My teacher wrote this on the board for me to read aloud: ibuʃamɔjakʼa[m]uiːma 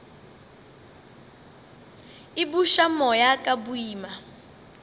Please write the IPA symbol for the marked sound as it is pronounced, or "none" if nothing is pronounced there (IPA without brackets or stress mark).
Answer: b